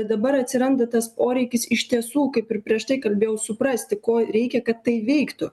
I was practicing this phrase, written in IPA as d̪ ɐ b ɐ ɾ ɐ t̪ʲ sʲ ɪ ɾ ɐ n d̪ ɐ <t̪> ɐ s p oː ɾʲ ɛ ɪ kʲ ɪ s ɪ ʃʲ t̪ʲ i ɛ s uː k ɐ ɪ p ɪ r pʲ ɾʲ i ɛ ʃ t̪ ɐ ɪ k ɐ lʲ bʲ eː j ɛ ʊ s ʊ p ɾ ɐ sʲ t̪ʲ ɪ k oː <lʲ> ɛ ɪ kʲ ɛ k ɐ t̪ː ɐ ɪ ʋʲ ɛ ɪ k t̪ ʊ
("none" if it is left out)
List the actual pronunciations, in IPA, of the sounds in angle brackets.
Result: t̪, ɾʲ

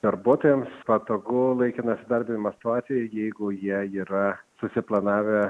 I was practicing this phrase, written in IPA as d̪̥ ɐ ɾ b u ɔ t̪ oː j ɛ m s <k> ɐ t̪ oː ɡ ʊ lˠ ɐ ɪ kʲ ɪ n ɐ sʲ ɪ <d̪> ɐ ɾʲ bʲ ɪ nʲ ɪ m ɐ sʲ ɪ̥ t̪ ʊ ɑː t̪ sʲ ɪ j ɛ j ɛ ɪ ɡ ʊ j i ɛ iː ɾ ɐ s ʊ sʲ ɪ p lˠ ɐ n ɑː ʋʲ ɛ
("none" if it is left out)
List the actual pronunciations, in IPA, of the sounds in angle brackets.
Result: p, d̪

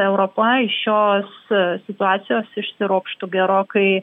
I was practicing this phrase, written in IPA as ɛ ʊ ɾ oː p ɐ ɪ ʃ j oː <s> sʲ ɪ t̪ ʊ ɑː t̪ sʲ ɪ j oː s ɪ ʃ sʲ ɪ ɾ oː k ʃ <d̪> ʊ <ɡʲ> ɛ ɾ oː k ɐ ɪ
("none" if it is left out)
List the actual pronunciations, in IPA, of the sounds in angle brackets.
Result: s, t̪, ɡʲ

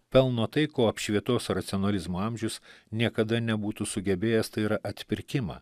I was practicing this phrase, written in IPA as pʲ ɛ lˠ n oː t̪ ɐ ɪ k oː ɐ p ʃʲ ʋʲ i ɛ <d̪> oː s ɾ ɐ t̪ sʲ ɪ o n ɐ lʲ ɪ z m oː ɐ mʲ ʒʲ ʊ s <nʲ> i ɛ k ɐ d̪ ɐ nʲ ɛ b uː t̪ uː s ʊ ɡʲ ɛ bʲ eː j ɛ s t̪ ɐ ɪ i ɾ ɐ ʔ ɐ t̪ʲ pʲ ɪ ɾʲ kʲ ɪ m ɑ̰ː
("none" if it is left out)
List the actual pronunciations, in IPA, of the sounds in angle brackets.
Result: t̪, nʲ

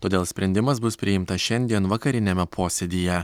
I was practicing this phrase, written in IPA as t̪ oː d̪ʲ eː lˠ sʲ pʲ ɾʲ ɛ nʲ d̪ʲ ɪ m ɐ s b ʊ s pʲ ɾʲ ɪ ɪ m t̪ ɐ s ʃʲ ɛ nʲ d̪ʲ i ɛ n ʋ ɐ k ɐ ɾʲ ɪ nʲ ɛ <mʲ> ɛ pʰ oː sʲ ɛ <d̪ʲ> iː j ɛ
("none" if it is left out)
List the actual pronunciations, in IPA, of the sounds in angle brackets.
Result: mʲ, d̪ʲ

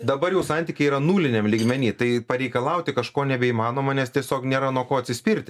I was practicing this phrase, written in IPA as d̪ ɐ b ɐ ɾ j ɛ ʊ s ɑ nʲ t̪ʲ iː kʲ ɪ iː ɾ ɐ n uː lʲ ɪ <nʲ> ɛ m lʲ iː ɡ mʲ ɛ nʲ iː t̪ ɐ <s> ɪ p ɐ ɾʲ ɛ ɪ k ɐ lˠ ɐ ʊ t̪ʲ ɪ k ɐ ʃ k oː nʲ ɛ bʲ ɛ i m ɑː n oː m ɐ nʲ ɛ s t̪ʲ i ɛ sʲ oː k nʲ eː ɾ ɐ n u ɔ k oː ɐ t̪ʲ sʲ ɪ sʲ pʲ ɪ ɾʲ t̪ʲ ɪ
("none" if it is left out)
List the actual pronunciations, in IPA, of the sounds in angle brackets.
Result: nʲ, none

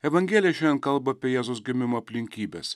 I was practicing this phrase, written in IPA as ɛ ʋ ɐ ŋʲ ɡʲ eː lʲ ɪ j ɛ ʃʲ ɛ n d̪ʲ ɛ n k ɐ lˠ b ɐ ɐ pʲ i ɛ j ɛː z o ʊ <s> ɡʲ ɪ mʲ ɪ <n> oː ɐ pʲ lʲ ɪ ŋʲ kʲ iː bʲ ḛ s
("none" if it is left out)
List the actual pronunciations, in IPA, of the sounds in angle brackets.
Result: s, m

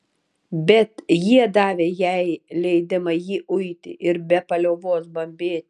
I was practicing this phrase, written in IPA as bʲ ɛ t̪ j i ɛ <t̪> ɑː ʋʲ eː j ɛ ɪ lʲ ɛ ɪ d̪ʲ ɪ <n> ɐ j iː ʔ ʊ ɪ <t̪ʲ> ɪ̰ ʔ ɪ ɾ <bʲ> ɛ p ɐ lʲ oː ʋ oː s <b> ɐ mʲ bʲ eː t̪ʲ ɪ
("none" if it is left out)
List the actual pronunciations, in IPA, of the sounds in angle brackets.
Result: d̪, m, t̪ʲ, bʲ, b

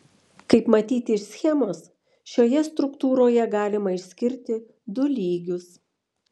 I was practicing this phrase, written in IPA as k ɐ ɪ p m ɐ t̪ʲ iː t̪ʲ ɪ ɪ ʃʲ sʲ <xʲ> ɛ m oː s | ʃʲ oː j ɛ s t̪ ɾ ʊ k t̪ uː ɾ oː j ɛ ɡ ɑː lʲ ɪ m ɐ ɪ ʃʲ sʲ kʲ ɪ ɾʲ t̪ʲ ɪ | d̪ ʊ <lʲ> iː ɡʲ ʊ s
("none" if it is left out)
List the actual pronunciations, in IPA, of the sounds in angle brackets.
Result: xʲ, lʲ

